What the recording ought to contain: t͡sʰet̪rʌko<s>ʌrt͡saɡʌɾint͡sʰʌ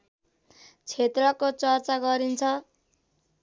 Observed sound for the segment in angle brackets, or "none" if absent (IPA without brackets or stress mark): t͡s